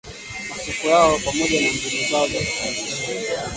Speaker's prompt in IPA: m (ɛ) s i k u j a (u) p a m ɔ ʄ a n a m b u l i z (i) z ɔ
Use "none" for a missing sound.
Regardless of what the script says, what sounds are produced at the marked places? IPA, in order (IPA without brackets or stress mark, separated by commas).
a, ɔ, a